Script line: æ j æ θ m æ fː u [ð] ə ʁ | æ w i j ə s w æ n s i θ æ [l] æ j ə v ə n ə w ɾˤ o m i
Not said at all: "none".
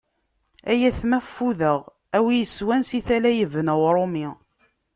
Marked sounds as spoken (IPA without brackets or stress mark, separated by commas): ð, l